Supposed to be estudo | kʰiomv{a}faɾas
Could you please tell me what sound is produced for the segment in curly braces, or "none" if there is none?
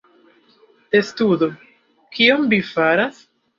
i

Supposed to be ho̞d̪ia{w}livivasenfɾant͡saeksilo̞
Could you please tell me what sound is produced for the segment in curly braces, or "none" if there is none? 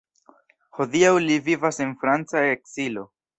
w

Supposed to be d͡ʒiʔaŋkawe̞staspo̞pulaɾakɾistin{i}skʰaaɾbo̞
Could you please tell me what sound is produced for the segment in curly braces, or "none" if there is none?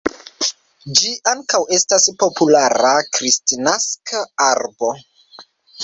a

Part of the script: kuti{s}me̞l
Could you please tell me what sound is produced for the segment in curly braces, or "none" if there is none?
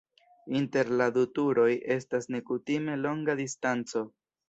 none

